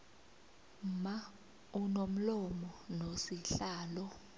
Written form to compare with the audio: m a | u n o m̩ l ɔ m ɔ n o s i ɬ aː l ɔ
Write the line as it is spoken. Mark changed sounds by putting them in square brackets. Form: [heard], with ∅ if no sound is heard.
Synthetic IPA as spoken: m a | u n o m̩ l ɔ m ɔ n o s i ɬ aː l ɔ